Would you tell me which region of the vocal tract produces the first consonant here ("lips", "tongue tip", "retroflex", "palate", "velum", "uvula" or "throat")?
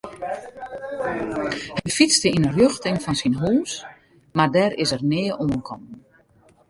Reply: throat